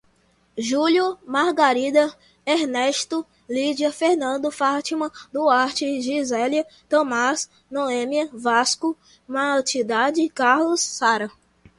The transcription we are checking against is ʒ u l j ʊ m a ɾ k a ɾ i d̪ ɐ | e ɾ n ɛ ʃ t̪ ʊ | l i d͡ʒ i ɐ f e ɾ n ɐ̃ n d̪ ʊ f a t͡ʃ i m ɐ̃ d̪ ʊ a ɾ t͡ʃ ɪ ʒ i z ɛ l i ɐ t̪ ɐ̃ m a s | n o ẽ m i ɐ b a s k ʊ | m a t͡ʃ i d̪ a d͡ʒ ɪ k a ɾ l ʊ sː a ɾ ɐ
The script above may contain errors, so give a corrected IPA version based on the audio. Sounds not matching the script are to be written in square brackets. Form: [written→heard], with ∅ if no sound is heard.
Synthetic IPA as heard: ʒ u l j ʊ m a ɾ [k→ɡ] a ɾ i d̪ ɐ | e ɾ n ɛ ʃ t̪ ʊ | l i d͡ʒ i ɐ f e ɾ n ɐ̃ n d̪ ʊ f a t͡ʃ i m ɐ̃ d̪ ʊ a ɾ t͡ʃ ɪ ʒ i z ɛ l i ɐ t̪ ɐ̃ m a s | n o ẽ m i ɐ [b→v] a s k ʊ | m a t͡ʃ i d̪ a d͡ʒ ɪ k a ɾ l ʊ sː a ɾ ɐ